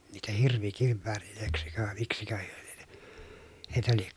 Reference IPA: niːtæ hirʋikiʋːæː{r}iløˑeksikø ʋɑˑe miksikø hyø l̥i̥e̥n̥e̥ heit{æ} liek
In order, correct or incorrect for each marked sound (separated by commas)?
correct, correct